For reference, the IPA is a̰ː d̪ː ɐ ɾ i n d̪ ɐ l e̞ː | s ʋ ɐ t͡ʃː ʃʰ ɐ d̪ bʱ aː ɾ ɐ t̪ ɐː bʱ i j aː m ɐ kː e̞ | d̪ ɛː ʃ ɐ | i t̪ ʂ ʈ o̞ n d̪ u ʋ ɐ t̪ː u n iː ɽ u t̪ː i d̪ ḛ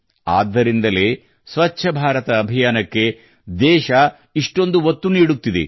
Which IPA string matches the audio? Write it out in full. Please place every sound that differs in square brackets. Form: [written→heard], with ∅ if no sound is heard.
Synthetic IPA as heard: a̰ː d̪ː ɐ ɾ i n d̪ ɐ l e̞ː | s ʋ ɐ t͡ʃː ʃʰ ɐ [d̪→∅] bʱ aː ɾ ɐ t̪ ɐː bʱ i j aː [m→n] ɐ kː e̞ | d̪ ɛː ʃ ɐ | i [t̪→∅] ʂ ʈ o̞ n d̪ u ʋ ɐ t̪ː u n iː ɽ u t̪ː i d̪ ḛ